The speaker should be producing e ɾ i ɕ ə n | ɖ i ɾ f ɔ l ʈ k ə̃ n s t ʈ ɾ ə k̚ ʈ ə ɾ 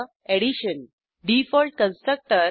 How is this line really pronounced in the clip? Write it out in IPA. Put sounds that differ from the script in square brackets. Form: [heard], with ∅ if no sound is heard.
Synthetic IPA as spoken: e [ɽ] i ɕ ə n | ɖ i [∅] f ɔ l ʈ k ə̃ n s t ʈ ɾ ə k̚ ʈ ə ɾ